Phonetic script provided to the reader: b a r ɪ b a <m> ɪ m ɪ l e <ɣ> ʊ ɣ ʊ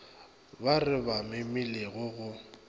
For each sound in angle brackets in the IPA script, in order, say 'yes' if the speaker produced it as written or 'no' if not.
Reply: yes, yes

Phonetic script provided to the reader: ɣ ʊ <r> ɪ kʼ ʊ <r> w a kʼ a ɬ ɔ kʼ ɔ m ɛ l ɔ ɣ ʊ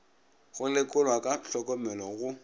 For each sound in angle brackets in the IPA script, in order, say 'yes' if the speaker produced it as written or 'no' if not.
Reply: no, no

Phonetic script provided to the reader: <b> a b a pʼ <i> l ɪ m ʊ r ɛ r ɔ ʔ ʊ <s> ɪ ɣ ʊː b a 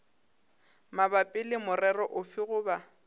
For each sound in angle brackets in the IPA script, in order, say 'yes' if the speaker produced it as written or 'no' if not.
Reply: no, no, no

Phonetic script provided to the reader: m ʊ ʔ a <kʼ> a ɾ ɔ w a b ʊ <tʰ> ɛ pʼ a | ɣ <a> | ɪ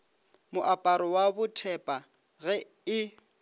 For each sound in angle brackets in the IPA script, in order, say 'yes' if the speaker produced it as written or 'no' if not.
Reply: no, yes, no

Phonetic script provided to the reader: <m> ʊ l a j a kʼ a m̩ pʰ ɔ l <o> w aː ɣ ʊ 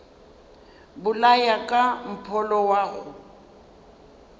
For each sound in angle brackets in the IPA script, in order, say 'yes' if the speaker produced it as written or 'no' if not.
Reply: no, no

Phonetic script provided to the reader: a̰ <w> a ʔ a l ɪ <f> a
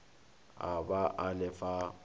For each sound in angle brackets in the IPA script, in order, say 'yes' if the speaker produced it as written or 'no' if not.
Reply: no, yes

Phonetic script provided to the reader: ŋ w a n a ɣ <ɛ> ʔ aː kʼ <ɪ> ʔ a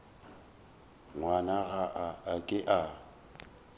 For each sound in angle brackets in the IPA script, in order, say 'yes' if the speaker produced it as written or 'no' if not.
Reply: no, yes

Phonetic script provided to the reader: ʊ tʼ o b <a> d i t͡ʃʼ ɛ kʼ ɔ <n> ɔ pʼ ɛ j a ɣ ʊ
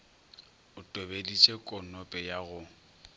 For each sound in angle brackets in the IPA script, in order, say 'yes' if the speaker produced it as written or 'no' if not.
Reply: no, yes

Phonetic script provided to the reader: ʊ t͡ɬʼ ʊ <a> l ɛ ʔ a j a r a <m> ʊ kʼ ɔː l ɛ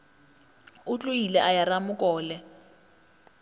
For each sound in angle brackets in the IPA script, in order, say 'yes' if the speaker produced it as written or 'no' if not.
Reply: no, yes

